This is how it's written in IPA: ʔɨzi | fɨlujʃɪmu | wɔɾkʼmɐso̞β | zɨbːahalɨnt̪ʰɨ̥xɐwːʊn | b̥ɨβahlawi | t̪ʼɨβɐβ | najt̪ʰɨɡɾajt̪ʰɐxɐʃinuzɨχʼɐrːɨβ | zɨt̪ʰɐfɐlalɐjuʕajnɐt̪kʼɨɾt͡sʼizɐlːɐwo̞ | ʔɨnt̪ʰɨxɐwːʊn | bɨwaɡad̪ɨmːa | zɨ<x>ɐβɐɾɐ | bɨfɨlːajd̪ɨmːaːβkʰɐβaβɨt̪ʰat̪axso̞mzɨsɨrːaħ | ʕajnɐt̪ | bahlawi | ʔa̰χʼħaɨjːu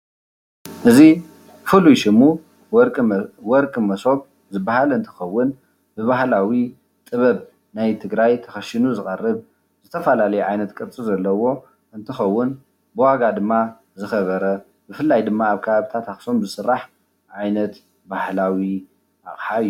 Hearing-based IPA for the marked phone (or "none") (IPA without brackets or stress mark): x